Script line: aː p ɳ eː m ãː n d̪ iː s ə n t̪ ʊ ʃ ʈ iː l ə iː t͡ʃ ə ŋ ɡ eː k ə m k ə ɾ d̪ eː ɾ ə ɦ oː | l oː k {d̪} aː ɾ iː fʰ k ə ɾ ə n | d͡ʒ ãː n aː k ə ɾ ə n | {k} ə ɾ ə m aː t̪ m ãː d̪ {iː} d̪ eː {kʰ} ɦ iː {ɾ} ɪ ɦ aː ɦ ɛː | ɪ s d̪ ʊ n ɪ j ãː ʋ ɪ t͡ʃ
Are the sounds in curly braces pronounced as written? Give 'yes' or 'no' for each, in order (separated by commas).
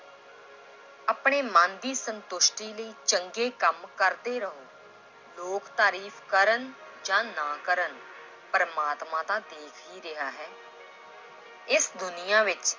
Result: no, no, no, yes, yes